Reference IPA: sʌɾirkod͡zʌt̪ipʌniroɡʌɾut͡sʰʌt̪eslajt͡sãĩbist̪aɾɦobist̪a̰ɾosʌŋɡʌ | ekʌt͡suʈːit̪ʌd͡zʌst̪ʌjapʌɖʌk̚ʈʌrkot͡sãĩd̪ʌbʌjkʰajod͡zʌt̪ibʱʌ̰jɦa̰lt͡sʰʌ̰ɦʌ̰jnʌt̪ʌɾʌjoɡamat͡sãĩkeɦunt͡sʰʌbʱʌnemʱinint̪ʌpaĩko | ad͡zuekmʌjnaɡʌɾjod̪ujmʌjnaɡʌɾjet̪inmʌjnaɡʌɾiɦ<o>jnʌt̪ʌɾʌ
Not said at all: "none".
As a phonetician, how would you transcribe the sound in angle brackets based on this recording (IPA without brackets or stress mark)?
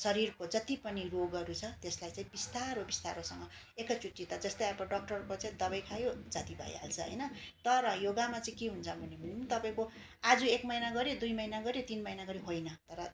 o